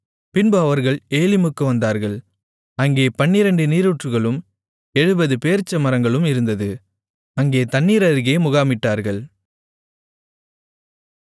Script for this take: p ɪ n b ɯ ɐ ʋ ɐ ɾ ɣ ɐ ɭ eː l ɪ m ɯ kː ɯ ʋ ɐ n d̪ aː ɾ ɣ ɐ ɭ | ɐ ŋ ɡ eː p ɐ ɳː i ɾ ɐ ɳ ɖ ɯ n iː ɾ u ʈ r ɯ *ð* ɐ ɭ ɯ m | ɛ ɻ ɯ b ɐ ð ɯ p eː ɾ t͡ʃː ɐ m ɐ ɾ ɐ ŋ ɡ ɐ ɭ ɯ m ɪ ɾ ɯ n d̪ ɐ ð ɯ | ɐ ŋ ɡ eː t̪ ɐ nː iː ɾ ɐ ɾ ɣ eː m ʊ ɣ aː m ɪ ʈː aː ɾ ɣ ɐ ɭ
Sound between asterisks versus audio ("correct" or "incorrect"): incorrect